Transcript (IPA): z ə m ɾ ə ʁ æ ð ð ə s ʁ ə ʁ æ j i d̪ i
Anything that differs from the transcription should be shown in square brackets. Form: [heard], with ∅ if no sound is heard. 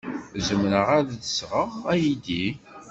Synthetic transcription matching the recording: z ə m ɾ ə ʁ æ ð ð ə s ʁ ə ʁ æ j i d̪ i